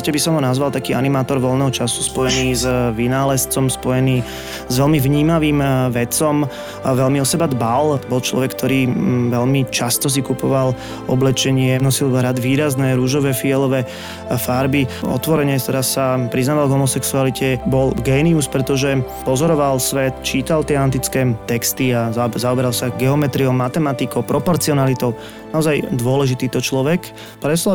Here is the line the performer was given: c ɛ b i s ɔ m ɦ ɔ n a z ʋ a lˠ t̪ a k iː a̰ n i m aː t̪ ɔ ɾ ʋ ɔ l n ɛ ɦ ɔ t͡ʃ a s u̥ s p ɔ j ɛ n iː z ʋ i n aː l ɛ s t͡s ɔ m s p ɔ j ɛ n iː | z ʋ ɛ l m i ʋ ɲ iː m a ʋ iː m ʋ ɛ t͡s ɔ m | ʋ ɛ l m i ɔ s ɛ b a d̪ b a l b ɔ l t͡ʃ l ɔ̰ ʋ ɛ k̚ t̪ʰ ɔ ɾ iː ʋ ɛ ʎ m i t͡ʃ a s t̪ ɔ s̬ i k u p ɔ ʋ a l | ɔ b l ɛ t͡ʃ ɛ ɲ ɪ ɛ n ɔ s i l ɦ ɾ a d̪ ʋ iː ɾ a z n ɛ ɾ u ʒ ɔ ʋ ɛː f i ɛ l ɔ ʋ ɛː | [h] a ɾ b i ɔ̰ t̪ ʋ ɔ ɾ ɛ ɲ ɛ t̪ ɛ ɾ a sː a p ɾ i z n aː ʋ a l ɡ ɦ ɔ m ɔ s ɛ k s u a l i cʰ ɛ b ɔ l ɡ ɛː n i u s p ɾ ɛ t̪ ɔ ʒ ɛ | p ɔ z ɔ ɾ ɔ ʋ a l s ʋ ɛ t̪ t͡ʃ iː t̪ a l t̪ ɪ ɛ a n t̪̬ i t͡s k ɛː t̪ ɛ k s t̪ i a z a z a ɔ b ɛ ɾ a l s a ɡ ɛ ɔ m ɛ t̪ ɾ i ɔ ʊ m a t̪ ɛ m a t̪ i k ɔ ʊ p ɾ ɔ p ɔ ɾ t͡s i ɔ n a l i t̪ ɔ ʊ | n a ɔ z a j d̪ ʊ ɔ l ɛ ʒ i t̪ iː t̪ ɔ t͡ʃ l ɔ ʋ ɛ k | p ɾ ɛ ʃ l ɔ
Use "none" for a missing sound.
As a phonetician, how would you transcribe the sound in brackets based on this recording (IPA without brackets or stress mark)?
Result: f